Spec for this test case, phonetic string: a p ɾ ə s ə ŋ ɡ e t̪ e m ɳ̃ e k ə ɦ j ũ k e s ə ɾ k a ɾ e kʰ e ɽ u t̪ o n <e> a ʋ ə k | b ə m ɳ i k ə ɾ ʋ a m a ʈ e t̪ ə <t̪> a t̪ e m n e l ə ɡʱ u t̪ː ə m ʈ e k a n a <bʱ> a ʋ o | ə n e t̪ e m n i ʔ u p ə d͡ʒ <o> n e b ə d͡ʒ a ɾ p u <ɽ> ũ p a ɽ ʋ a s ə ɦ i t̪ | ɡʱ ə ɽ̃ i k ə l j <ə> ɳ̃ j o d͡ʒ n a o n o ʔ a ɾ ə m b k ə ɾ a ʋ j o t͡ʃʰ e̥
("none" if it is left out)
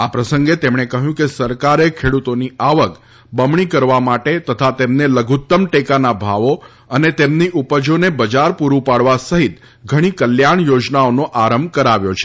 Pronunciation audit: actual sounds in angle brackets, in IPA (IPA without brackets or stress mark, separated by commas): i, t̪ʰ, bʱ, o, ɾ, a